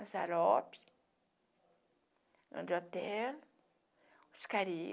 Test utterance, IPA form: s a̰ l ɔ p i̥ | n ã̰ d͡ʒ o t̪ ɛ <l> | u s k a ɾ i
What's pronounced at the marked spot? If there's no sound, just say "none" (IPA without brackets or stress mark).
l